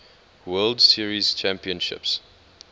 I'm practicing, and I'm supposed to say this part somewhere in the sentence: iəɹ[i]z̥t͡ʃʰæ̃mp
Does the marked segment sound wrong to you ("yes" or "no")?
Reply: no